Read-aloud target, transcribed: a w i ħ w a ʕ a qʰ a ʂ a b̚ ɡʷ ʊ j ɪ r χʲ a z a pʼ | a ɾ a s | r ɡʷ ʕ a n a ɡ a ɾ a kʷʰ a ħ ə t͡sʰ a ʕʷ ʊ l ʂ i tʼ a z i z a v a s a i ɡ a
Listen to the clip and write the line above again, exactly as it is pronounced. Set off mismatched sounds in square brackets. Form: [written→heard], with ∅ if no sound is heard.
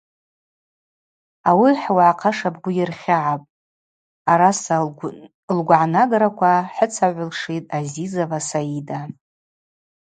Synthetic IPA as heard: a w i ħ w a ʕ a qʰ a ʂ a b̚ ɡʷ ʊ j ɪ r χʲ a [z→ʕ] a pʼ | a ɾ a s | [r→l] ɡʷ ʕ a n a ɡ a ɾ a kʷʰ a ħ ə t͡sʰ a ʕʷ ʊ l ʂ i tʼ a z i z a v a s a i [ɡ→d] a